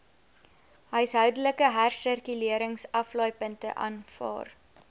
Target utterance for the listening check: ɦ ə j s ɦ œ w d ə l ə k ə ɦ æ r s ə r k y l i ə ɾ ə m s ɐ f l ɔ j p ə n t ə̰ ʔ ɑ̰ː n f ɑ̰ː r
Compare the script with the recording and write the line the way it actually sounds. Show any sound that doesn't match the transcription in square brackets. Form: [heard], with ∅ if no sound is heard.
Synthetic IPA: ɦ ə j s ɦ œ w d ə l ə k ə ɦ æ r s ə r k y l i ə ɾ ə [ŋ] s ɐ f l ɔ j p ə n t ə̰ ʔ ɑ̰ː n f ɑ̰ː r